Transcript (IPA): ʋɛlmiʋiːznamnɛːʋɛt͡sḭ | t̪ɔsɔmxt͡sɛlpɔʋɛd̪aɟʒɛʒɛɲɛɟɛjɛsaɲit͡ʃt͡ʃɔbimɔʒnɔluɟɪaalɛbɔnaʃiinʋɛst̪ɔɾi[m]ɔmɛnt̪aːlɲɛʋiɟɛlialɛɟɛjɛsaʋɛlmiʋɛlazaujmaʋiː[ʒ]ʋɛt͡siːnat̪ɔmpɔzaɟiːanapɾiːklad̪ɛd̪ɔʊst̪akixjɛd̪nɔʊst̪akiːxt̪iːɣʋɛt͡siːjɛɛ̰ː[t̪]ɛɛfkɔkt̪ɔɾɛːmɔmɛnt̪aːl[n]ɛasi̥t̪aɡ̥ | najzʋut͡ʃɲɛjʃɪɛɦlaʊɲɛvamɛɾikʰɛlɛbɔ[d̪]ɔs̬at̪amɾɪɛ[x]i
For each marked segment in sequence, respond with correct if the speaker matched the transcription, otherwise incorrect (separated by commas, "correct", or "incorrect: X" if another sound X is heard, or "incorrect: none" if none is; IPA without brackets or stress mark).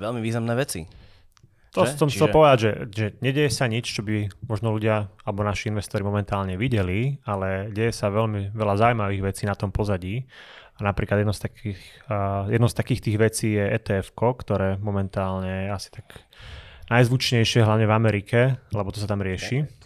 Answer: correct, incorrect: ɣ, correct, incorrect: ɲ, incorrect: t̪, incorrect: ʃ